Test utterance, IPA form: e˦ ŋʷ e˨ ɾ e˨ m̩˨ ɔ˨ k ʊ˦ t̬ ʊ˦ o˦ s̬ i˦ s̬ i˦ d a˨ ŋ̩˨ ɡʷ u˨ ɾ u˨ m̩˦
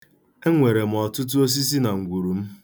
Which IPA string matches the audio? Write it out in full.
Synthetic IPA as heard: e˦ ŋʷ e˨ ɾ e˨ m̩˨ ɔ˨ t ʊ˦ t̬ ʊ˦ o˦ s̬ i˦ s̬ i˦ n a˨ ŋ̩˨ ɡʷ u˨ ɾ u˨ m̩˦

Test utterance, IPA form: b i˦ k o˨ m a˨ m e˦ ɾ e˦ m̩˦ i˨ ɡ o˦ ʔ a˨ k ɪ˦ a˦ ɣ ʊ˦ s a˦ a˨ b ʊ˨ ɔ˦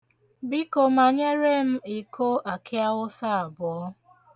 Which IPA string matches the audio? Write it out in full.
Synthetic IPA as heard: b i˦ k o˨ m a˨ ɲ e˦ ɾ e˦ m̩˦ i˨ k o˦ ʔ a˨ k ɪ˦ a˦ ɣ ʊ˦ s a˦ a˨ b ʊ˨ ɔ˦

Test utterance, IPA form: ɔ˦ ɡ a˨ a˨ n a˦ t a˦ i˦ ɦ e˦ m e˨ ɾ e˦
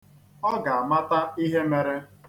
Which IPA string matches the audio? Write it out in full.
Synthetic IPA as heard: ɔ˦ ɡ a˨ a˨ m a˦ t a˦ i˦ ɦ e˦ m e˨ ɾ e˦

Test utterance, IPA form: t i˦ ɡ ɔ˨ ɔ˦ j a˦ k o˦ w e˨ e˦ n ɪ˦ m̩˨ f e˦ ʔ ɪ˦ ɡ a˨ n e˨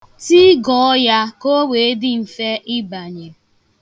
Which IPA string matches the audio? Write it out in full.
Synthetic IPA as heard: t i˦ ɡ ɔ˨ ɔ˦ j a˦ k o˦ w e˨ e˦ d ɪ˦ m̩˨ f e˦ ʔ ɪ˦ b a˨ ɲ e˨

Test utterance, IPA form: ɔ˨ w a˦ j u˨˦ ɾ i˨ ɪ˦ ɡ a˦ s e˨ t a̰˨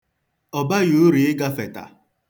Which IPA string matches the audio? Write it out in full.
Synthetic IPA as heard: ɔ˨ b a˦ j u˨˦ ɾ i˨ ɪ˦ ɡ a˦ f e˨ t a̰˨

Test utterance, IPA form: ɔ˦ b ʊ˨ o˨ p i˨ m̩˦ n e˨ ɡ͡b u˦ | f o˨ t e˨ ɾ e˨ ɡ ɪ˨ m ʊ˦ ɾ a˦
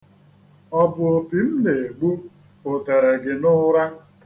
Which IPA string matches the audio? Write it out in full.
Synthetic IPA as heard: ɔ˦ b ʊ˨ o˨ p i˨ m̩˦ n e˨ ɡ͡b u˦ | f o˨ t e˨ ɾ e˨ ɡ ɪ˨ n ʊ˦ ɾ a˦

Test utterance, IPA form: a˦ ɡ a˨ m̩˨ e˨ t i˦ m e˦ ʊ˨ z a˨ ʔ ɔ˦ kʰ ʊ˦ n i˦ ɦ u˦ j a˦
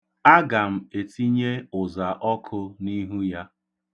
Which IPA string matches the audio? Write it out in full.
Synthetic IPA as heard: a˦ ɡ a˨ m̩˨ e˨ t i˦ ɲ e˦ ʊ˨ z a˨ ʔ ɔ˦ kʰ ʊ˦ n i˦ ɦ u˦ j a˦

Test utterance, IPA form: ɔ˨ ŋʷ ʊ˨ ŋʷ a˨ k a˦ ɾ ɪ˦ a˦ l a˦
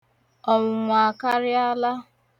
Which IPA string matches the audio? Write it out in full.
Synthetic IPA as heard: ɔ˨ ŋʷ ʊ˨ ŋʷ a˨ k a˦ ɾ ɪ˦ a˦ l a˦

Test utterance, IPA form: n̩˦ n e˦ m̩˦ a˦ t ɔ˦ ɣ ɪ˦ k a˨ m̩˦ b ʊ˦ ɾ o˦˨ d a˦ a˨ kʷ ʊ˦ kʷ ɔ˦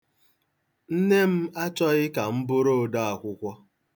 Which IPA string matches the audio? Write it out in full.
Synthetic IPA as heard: n̩˦ n e˦ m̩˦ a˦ t͡ʃ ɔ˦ ɣ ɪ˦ k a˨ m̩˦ b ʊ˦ ɾ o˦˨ d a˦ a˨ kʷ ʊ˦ kʷ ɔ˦

